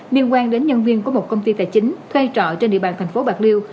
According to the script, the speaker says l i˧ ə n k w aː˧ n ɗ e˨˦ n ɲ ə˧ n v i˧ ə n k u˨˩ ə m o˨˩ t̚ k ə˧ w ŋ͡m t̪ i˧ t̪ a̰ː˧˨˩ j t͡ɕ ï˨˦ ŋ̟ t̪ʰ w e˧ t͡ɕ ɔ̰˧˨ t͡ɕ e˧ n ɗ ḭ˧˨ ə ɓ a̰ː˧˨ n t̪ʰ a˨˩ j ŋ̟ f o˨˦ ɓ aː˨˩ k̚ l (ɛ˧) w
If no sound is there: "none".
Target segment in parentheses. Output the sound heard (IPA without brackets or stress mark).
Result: i˧